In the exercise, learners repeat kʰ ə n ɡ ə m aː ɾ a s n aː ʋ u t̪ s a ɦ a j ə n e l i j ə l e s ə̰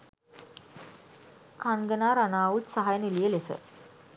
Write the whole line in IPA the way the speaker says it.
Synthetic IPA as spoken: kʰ a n ɡ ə n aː ɾ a n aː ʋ u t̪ s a ɦ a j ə n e l i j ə l e s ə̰